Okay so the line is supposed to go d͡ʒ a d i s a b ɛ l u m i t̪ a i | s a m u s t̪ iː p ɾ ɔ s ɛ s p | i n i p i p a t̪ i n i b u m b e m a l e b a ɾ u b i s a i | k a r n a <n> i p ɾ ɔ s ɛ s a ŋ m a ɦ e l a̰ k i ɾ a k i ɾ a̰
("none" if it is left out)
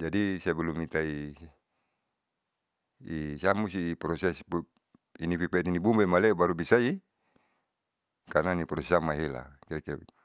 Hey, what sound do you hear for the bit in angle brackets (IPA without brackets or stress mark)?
n